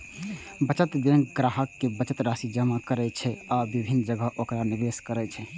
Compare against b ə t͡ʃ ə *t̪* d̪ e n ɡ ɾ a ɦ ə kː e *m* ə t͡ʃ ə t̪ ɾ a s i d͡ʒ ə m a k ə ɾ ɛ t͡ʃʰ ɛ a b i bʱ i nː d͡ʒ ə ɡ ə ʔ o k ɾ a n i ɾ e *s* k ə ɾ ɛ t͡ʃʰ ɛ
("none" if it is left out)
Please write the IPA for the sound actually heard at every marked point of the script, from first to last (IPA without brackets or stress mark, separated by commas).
t̪, b, s